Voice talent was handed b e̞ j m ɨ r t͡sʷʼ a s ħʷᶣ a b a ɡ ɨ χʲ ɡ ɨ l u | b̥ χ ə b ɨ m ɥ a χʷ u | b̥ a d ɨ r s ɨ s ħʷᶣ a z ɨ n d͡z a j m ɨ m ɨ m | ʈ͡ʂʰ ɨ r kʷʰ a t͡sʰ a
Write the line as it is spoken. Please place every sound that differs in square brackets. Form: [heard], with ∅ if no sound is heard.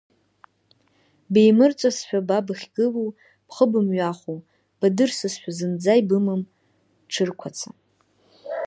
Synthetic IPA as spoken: b e̞ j m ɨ r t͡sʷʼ a s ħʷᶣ a b a [b] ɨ χʲ ɡ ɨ l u | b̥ χ ə b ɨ m ɥ a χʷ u | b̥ a d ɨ r s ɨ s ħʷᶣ a z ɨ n d͡z a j [b] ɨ m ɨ m | ʈ͡ʂʰ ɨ r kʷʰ a t͡sʰ a